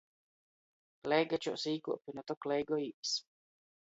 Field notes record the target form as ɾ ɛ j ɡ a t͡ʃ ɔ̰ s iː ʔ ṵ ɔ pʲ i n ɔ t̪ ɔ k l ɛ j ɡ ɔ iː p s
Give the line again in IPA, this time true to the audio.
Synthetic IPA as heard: l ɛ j ɡ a t͡ʃ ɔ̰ s iː k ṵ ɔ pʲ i n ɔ t̪ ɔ k l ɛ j ɡ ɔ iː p s